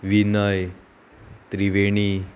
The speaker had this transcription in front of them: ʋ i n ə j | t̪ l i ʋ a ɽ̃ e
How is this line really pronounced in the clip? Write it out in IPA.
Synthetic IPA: ʋ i n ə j | t̪ ɾ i ʋ e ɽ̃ i